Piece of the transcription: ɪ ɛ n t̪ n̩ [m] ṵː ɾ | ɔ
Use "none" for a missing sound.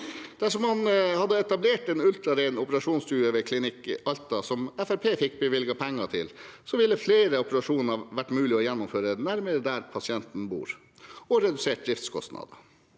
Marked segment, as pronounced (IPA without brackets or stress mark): b